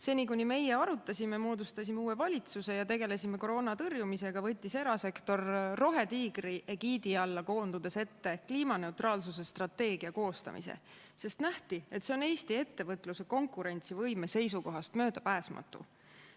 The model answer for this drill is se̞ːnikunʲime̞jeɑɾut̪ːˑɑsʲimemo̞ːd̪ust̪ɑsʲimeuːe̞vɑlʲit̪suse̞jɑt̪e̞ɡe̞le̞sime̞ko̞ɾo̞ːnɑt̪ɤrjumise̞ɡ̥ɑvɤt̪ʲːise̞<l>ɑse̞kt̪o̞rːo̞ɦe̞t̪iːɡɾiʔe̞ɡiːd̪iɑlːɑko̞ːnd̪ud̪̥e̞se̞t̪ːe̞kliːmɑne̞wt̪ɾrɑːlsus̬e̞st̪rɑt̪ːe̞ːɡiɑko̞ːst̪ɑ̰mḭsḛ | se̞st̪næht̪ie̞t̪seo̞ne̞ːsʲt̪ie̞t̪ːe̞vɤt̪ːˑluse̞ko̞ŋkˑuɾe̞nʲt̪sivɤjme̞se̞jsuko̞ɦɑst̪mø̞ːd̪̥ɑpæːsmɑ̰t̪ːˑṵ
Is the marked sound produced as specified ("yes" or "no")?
no